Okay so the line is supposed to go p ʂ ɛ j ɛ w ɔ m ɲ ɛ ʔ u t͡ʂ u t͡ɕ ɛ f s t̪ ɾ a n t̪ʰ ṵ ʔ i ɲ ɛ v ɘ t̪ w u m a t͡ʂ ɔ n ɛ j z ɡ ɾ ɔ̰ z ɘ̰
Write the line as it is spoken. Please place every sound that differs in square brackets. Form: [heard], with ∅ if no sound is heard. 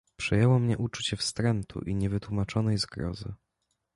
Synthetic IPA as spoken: p ʂ ɛ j ɛ w ɔ m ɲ ɛ ʔ u t͡ʂ u t͡ɕ ɛ f s t̪ ɾ [ɛ] n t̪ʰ ṵ ʔ i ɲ ɛ v ɘ t̪ w u m a t͡ʂ ɔ n ɛ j z ɡ ɾ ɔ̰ z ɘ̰